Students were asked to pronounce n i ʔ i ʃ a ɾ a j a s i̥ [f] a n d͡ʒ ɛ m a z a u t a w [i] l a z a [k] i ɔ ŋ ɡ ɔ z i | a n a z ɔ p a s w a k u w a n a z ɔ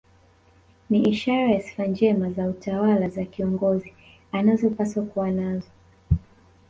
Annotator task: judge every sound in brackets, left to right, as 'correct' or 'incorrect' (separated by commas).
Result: correct, incorrect, correct